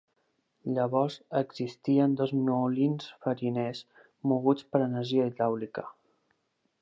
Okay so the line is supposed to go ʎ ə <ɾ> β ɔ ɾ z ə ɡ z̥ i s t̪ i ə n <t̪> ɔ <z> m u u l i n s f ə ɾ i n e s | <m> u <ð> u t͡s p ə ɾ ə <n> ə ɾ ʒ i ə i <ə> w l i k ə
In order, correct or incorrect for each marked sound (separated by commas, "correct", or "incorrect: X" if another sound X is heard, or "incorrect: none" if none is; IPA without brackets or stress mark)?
incorrect: none, incorrect: d̪, correct, correct, incorrect: ɣ, correct, incorrect: a